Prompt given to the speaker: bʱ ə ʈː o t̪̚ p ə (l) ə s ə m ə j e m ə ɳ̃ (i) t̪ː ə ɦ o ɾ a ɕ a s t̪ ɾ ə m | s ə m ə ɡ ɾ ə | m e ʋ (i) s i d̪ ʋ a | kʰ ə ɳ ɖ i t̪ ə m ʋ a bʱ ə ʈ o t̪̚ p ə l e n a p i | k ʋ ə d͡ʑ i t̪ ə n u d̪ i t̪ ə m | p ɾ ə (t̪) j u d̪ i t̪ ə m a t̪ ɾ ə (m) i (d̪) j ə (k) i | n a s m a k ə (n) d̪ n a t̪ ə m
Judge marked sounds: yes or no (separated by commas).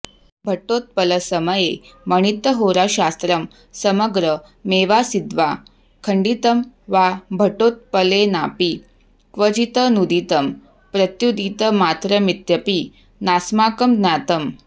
yes, yes, no, yes, yes, no, no, no